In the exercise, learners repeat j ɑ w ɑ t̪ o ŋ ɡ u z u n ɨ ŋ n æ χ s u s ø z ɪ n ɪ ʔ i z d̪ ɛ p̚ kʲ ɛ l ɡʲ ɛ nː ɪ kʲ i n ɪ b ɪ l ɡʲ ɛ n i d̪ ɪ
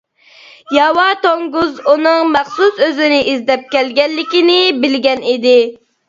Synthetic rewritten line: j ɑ w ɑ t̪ o ŋ ɡ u z u n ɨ ŋ m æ χ s u s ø z ɪ n ɪ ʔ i z d̪ ɛ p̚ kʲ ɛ l ɡʲ ɛ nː ɪ kʲ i n ɪ b ɪ l ɡʲ ɛ n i d̪ ɪ

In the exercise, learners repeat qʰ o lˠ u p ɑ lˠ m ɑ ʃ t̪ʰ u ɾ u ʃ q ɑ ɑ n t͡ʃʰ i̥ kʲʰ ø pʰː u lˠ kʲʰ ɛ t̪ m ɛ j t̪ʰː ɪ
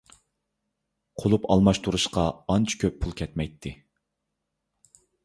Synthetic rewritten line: qʰ o lˠ u p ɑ lˠ m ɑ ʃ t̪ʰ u ɾ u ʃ q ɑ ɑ n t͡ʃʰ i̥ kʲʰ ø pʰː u lˠ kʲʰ ɛ t̪ m ɛ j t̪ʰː ɪ

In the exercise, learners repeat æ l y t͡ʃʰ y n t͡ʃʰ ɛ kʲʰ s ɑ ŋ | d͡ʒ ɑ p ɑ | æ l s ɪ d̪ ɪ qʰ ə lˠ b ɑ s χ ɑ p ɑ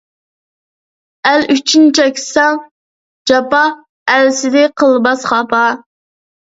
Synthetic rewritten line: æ l y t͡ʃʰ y n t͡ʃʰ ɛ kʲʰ s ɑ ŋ | d͡ʒ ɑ p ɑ | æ l s ɪ d̪ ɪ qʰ ə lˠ b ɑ s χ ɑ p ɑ

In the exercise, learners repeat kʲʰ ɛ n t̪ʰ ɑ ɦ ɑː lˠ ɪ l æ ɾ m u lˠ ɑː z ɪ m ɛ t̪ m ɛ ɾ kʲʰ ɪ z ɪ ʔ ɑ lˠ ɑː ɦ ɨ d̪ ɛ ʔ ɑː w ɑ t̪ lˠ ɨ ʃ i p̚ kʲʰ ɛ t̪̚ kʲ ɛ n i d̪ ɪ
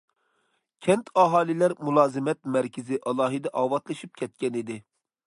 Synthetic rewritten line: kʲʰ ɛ n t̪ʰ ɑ ɦ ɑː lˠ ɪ l æ ɾ m u lˠ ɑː z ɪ m ɛ t̪ m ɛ ɾ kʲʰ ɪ z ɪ ʔ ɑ lˠ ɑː ɦ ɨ d̪ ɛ ʔ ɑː w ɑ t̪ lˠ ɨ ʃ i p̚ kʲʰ ɛ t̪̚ kʲ ɛ n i d̪ ɪ

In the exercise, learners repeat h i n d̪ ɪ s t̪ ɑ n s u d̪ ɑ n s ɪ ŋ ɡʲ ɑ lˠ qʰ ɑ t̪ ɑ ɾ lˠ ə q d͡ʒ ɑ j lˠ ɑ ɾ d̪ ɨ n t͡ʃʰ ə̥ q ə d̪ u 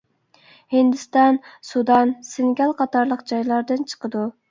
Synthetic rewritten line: h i n d̪ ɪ s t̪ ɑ n s u d̪ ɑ n s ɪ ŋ ɡʲ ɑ lˠ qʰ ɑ t̪ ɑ ɾ lˠ ə q d͡ʒ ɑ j lˠ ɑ ɾ d̪ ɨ n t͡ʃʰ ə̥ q ə d̪ u

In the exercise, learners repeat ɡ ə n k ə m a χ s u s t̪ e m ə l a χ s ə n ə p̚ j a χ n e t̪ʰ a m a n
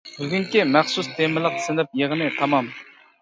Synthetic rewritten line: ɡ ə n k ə m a χ s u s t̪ e m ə l a χ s ə n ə p̚ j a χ n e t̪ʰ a m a m

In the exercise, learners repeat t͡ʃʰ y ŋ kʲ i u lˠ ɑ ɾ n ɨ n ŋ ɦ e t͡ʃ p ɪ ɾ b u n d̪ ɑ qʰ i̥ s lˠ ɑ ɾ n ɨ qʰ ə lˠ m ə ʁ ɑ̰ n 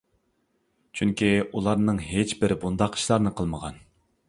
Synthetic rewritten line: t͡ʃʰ y ŋ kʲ i u lˠ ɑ ɾ n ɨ ŋ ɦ e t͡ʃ b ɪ ɾ b u n d̪ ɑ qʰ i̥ ʃ lˠ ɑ ɾ n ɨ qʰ ə lˠ m ə ʁ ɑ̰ n

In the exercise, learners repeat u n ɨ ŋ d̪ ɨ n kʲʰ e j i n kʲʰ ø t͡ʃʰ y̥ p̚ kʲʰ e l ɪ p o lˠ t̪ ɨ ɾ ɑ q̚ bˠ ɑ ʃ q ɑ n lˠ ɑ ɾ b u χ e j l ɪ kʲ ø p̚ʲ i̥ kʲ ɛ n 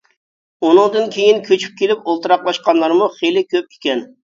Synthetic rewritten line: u n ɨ ŋ d̪ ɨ n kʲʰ e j i n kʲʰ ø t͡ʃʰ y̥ p̚ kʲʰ e l ɪ p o lˠ t̪ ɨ ɾ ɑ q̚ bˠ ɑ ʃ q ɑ n lˠ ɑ ɾ m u χ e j l ɪ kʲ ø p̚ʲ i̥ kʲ ɛ n

